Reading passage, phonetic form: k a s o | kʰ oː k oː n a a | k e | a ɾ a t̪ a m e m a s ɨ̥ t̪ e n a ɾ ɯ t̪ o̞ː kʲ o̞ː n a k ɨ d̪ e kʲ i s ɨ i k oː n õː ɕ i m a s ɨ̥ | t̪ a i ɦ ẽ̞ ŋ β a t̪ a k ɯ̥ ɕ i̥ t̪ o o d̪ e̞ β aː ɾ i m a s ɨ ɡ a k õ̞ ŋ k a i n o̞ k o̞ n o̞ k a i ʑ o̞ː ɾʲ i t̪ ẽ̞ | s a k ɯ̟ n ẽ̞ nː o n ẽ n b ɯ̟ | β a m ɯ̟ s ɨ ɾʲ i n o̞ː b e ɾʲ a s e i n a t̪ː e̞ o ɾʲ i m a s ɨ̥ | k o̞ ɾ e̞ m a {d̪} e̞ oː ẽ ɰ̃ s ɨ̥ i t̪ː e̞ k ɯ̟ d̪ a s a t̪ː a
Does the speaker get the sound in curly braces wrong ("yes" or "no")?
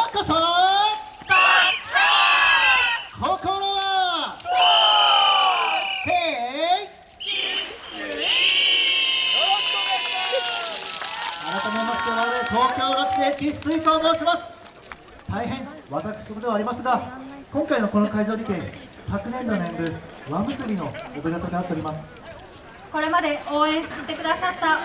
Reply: no